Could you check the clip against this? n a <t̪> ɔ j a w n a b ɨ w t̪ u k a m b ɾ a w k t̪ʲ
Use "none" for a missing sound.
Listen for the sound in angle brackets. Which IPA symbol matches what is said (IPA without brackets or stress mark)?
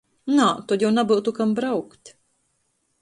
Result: t̪